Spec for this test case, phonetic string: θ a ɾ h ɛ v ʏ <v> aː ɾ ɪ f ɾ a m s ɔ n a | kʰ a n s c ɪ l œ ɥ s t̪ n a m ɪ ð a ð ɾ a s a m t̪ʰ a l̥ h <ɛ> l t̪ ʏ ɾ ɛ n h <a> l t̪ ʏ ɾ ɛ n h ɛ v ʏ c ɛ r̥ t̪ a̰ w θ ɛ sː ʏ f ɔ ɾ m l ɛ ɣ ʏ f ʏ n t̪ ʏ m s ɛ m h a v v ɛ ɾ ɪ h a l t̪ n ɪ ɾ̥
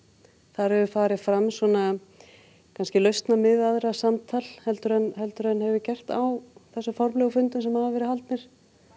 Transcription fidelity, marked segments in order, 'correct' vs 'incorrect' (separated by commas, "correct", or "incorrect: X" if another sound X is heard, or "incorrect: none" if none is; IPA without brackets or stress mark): incorrect: f, correct, incorrect: ɛ